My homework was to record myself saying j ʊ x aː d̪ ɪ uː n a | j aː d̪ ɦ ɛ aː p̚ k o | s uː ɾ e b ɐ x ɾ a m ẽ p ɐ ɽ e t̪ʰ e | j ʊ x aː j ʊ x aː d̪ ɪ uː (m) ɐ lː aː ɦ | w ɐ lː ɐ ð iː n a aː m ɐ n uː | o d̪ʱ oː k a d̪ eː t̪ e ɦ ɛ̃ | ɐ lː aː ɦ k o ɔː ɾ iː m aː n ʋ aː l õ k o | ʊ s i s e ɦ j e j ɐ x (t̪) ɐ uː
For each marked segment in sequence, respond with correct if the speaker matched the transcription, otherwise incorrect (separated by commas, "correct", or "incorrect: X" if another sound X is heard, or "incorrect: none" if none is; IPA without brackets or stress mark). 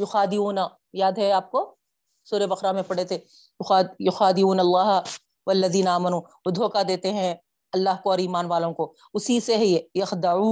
incorrect: n, incorrect: d̪